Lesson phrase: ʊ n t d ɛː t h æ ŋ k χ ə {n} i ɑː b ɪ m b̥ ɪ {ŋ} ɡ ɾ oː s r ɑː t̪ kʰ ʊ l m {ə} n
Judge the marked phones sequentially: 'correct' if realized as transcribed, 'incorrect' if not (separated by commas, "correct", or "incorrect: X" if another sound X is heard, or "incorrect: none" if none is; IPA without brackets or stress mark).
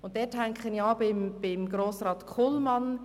correct, incorrect: m, incorrect: ɑ